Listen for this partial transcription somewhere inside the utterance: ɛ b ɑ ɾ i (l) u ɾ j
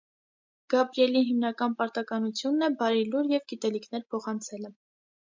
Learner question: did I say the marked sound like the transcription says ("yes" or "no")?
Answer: yes